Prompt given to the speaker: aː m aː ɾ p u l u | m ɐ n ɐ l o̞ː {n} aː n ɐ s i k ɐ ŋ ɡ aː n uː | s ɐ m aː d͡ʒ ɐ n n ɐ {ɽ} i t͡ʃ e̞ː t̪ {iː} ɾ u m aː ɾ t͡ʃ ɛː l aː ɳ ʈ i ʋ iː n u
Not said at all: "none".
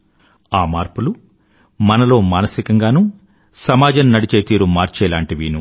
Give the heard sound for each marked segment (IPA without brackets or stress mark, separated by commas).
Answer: m, ɽ, iː